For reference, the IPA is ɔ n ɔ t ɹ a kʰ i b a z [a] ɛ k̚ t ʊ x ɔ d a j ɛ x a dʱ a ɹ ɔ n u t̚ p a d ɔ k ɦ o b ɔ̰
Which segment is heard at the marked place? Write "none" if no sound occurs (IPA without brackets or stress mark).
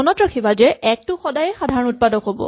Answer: ɛ